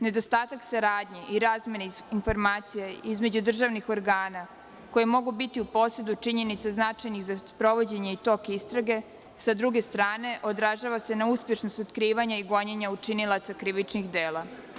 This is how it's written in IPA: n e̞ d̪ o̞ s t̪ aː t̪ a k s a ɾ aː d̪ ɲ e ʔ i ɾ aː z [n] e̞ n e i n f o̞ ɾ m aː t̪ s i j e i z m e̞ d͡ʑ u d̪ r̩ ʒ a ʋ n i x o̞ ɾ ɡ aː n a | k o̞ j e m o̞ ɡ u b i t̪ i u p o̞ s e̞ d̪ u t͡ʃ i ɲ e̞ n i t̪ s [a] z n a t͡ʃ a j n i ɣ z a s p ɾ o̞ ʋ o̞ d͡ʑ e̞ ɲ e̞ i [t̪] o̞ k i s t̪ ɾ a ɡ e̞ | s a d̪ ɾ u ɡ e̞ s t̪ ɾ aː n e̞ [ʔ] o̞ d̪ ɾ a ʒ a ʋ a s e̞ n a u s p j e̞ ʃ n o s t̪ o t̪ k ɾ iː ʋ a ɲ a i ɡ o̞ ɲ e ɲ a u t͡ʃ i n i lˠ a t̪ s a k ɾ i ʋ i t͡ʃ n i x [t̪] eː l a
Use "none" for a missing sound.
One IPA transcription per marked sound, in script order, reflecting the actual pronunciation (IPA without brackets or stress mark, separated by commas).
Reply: m, a, t̪, ʔ, d̪